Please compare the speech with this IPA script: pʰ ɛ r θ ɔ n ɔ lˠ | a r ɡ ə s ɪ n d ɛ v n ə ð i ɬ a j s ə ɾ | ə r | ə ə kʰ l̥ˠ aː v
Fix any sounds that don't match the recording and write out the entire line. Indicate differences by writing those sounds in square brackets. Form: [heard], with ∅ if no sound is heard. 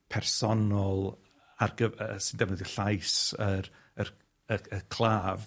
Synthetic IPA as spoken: pʰ ɛ r [s] ɔ n ɔ lˠ | a r ɡ ə s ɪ n d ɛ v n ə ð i ɬ a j s ə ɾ | ə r | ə ə kʰ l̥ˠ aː v

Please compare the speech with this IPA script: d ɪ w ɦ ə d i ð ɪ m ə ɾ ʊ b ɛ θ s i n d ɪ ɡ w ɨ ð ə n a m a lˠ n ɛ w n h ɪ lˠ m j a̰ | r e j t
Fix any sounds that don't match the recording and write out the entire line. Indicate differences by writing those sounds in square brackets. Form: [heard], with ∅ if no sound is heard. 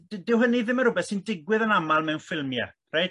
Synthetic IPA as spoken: d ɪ w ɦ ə [n] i ð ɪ m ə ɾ ʊ b ɛ θ s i n d ɪ ɡ w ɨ ð ə n a m a lˠ [m] ɛ w n [f] ɪ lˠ m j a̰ | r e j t

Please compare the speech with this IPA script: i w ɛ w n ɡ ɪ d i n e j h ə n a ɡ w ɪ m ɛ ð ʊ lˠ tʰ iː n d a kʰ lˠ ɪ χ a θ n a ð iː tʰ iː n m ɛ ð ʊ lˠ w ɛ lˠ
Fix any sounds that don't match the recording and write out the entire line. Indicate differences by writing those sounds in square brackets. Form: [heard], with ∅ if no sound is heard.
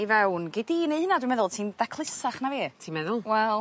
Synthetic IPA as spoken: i [v] ɛ w n ɡ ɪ d i n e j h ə n a [d] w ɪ m ɛ ð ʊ lˠ tʰ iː n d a kʰ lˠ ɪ [s] a [χ] n a [v] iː tʰ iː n m ɛ ð ʊ lˠ w ɛ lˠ

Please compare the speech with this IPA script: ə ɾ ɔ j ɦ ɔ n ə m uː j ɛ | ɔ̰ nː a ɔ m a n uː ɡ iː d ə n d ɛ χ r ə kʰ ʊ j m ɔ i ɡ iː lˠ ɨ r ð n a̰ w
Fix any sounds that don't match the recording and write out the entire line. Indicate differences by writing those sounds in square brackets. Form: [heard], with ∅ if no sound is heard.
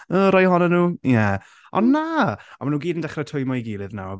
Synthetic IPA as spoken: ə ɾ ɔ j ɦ ɔ n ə [n] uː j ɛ | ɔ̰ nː a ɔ m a n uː ɡ iː d ə n d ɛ χ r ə [tʰ] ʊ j m ɔ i ɡ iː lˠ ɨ [∅] ð n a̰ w

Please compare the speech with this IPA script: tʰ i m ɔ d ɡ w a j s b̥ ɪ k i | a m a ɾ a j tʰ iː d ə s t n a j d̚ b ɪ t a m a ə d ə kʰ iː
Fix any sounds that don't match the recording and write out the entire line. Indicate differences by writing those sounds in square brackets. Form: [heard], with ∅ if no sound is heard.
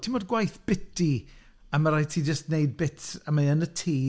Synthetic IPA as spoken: tʰ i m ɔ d ɡ w a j [θ] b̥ ɪ [t] i | a m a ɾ a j tʰ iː [d͡ʒ] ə s t n [e] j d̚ b ɪ t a m a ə [n] ə [tʰ] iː

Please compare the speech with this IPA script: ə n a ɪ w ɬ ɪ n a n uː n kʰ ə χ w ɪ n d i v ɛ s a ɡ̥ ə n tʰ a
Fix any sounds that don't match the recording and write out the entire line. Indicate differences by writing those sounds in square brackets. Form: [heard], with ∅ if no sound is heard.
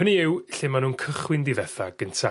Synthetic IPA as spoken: ə n [i] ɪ w ɬ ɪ [m] a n uː n kʰ ə χ w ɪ n d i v ɛ [θ] a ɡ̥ ə n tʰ a

